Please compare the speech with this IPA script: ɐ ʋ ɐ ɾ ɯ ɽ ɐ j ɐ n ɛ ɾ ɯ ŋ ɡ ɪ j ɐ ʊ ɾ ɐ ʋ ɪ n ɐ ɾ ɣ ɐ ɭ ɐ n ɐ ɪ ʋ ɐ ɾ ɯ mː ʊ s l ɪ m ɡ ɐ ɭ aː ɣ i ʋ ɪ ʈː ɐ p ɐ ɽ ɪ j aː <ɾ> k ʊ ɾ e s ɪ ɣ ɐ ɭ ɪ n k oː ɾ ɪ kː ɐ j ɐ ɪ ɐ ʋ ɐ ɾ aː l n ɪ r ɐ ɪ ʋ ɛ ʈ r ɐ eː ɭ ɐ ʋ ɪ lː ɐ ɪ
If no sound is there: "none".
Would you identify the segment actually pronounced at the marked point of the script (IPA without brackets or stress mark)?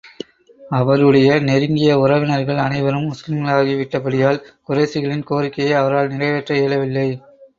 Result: l